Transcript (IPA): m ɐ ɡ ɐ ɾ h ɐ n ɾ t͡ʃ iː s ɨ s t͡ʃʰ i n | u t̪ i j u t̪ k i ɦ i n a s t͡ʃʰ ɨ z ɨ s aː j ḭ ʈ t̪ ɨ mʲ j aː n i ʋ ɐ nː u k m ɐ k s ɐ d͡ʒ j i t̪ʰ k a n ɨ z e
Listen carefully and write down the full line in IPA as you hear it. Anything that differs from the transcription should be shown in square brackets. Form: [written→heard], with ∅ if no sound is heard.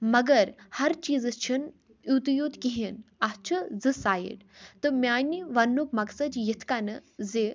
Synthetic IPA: m ɐ ɡ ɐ ɾ h ɐ [n→∅] ɾ t͡ʃ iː [s→z] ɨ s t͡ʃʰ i n | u t̪ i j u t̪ k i ɦ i n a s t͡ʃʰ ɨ z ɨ s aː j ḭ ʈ t̪ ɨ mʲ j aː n i ʋ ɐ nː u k m ɐ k s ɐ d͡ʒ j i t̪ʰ k a n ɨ z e